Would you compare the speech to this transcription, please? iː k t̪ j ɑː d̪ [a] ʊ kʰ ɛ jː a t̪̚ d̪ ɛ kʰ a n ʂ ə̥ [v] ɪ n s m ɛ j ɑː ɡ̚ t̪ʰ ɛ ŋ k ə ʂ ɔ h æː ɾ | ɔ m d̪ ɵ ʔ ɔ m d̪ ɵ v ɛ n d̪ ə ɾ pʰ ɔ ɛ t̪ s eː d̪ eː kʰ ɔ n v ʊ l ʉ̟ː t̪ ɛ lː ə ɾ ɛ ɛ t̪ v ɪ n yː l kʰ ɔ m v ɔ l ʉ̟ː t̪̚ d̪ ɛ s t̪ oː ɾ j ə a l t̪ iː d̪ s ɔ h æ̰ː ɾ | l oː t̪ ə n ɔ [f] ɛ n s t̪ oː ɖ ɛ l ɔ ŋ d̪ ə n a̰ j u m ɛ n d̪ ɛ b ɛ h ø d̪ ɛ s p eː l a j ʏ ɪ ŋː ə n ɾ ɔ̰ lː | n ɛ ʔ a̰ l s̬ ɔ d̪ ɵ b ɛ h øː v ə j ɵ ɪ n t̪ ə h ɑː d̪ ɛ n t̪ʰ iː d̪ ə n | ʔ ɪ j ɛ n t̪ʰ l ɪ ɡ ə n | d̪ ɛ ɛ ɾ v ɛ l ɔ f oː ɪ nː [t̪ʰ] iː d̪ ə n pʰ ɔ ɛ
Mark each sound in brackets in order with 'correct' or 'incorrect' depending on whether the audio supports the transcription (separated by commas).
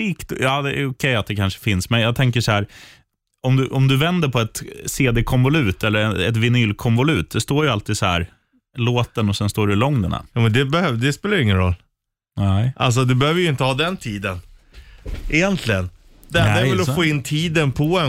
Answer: incorrect, incorrect, incorrect, correct